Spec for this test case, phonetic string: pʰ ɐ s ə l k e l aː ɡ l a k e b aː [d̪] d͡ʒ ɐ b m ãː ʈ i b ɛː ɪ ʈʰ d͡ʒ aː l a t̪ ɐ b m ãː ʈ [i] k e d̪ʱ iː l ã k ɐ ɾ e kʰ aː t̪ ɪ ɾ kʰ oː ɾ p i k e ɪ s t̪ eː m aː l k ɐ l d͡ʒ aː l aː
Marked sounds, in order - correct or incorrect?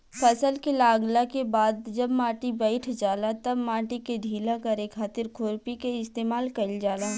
correct, correct

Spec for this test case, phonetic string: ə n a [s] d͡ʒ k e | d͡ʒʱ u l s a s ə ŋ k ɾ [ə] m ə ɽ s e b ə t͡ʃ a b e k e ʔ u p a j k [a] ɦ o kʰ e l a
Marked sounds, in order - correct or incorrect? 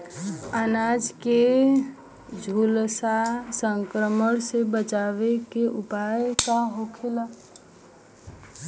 incorrect: none, correct, correct

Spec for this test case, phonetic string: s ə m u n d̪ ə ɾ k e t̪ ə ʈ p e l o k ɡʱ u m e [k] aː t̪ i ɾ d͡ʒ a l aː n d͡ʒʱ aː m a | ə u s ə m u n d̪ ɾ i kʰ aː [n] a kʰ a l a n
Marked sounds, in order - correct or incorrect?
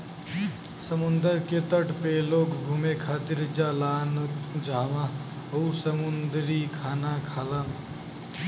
incorrect: kʰ, correct

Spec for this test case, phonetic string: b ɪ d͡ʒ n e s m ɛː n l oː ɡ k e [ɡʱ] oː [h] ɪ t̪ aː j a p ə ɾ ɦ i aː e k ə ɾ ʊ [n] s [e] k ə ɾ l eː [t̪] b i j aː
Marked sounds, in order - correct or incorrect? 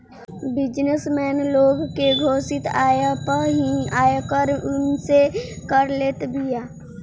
correct, incorrect: s, correct, correct, correct

